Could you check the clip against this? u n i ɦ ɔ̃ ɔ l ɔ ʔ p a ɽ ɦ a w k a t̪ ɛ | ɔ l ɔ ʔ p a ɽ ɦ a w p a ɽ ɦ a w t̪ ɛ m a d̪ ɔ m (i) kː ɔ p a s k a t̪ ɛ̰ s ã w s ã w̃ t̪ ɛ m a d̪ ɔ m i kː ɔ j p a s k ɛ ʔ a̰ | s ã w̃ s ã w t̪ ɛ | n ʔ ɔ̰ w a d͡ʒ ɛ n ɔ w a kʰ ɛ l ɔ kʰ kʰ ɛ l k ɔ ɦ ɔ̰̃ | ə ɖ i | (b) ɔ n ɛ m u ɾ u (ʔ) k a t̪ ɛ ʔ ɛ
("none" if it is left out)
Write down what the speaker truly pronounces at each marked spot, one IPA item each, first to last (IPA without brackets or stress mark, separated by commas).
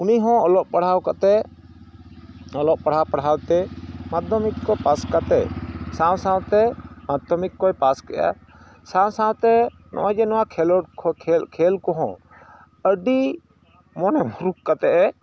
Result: i, m, k